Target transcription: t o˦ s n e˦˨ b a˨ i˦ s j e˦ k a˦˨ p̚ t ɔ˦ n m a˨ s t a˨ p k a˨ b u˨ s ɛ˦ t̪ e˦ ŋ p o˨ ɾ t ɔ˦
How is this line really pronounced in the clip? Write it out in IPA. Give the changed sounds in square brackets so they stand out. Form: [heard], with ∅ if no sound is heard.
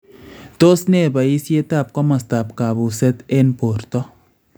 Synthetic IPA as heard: t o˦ s n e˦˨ b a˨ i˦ s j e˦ [t] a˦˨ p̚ [k] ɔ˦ [∅] m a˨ s t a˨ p k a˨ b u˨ s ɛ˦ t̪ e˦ [n] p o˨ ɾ t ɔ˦